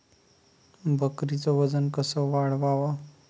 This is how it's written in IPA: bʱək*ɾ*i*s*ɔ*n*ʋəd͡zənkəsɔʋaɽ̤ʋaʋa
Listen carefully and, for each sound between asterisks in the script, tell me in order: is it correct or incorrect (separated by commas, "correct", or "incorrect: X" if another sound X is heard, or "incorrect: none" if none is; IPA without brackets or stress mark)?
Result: correct, incorrect: t͡s, incorrect: none